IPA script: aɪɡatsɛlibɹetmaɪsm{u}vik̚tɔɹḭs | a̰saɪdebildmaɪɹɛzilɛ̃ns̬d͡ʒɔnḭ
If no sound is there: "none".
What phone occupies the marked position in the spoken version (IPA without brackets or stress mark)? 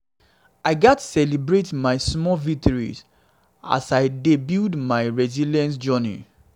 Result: ɔ